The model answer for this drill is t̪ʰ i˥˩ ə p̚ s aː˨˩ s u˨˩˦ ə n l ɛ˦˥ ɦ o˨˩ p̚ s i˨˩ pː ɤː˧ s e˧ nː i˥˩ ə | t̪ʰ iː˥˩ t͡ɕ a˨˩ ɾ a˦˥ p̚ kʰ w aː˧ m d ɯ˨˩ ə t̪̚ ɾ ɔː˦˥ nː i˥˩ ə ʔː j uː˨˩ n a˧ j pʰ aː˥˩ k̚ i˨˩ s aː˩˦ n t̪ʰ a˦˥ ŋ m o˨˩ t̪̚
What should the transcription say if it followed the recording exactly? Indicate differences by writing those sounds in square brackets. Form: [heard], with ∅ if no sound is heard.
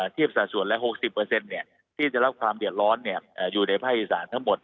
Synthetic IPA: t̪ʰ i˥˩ ə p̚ s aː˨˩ s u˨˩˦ ə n l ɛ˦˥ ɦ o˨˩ [k̚] s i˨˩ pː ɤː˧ s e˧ nː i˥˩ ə | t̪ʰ iː˥˩ t͡ɕ a˨˩ ɾ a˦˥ p̚ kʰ w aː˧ m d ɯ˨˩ ə t̪̚ ɾ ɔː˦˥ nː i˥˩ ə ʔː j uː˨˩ n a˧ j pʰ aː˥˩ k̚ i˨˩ s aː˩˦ n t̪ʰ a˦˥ ŋ m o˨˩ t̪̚